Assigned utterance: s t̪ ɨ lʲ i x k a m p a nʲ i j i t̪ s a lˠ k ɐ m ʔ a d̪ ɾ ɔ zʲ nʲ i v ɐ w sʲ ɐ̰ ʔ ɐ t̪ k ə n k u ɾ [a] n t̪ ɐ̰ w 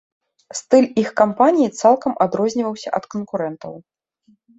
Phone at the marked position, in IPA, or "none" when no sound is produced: ɛ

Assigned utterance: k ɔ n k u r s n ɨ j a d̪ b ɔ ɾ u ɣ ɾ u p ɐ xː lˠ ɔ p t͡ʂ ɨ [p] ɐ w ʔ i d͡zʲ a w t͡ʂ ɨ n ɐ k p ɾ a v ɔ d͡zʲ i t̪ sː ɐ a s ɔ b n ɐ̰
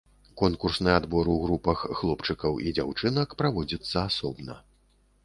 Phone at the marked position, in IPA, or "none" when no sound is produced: k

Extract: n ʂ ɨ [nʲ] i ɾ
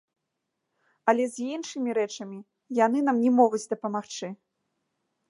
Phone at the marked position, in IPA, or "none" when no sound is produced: mʲ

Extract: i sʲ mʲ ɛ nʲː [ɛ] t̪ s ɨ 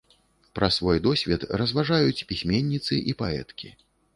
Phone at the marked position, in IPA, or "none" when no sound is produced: i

